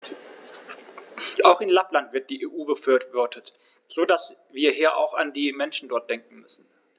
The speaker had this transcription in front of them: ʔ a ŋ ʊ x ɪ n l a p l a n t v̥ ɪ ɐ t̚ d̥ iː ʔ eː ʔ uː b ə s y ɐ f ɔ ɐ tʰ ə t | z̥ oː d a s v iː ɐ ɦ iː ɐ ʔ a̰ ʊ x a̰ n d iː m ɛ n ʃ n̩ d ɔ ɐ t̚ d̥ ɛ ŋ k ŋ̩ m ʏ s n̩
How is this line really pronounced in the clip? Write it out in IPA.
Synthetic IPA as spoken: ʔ a ʊ x ɪ n l a p l a n t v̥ ɪ ɐ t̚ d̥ iː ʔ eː ʔ uː b ə f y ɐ v ɔ ɐ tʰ ə t | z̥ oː d a s v iː ɐ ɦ iː ɐ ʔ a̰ ʊ x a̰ n d iː m ɛ n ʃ n̩ d ɔ ɐ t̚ d̥ ɛ ŋ k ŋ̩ m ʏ s n̩